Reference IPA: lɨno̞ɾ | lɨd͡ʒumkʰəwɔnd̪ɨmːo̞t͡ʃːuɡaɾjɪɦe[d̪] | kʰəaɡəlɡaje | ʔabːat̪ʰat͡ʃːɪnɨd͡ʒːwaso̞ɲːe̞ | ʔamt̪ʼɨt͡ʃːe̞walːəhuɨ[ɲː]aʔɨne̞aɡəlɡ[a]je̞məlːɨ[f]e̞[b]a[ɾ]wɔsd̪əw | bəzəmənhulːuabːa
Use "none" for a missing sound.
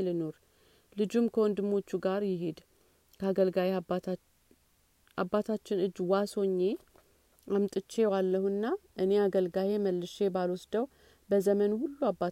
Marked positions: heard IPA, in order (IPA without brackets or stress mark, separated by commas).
d̪, nː, a, ʃ, b, l